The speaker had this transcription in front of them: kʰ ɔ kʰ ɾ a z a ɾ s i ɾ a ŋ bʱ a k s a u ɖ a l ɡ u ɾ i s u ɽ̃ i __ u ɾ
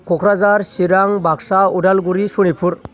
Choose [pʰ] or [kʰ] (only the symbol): pʰ